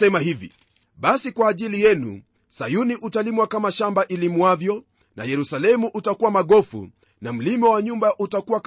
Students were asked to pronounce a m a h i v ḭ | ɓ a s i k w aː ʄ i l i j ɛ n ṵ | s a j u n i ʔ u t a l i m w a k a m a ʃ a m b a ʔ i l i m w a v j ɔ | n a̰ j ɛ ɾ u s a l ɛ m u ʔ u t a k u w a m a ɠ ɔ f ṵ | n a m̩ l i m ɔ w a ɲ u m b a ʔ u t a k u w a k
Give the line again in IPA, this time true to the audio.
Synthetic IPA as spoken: ɛ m a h i v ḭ | ɓ a s i k w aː ʄ i l i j ɛ n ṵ | s a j u n i ʔ u t a l i m w a k a m a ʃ a m b a ʔ i l i m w a v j ɔ | n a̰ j ɛ ɾ u s a l ɛ m u ʔ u t a k u w a m a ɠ ɔ f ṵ | n a m̩ l i m ɔ w a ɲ u m b a ʔ u t a k u w a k